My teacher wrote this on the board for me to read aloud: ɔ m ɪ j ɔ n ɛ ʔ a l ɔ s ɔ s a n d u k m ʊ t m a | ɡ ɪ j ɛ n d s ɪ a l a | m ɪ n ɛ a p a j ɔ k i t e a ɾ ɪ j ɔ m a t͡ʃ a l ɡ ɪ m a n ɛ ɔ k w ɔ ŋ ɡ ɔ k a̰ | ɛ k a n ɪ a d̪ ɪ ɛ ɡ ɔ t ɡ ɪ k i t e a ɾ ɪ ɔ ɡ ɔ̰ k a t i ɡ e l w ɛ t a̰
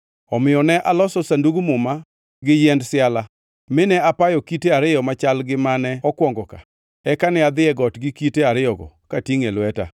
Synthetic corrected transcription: ɔ m ɪ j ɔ n ɛ ʔ a l ɔ s ɔ s a n d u ɡ m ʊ m a | ɡ ɪ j ɛ n d s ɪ a l a | m ɪ n ɛ a p a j ɔ k i t e a ɾ ɪ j ɔ m a t͡ʃ a l ɡ ɪ m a n ɛ ɔ k w ɔ ŋ ɡ ɔ k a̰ | ɛ k a n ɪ a d̪ ɪ ɛ ɡ ɔ t ɡ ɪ k i t e a ɾ ɪ ɔ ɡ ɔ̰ k a t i ŋ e l w ɛ t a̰